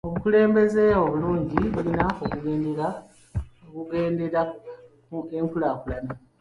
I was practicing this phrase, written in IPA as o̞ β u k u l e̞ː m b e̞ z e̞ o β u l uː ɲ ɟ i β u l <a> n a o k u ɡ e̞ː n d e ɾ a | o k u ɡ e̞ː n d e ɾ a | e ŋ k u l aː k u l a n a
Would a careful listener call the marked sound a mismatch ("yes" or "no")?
yes